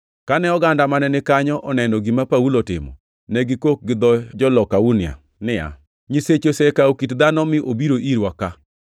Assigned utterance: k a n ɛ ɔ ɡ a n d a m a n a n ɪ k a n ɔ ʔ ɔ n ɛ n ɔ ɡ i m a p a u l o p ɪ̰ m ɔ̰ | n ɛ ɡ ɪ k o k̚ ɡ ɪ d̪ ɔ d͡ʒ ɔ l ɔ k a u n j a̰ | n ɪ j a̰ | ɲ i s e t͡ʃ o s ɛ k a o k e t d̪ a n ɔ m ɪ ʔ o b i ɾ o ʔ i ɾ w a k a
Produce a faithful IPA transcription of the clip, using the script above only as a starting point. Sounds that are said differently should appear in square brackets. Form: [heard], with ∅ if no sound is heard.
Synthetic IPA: k a n ɛ ɔ ɡ a n d a m a n [ɛ] n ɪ k a [ɲ] ɔ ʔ ɔ n ɛ n ɔ ɡ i m a p a u l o [t] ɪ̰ m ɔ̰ | n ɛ ɡ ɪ k o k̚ ɡ ɪ d̪ ɔ d͡ʒ ɔ l ɔ k a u n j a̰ | n ɪ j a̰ | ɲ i s e t͡ʃ o s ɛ k a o k [i] t d̪ a n ɔ m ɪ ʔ o b i ɾ o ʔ i ɾ w a k a